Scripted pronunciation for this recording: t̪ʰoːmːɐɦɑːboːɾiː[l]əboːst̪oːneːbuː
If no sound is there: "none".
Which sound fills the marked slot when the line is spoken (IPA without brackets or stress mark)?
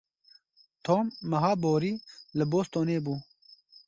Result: l